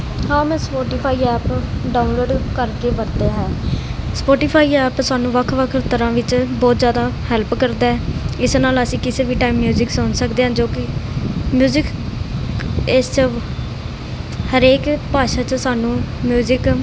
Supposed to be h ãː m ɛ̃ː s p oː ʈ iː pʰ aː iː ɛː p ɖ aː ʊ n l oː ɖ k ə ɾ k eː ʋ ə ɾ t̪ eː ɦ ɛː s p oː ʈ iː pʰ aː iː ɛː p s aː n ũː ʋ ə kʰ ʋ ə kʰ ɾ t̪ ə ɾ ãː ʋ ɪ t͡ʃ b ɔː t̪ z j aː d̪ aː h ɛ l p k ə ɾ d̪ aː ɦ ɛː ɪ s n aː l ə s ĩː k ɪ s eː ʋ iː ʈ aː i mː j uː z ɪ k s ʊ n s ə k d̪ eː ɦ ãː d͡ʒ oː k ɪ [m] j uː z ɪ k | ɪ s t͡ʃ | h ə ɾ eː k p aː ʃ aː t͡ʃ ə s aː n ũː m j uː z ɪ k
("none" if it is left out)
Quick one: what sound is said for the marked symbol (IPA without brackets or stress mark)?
m